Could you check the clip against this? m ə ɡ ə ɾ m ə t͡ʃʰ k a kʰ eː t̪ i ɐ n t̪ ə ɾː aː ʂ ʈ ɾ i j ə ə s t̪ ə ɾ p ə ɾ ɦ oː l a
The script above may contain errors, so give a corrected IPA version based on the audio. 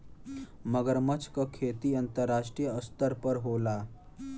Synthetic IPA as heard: m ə ɡ ə ɾ m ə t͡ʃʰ k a kʰ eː t̪ i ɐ n t̪ ə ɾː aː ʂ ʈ ɾ i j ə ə s t̪ ə ɾ p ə ɾ ɦ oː l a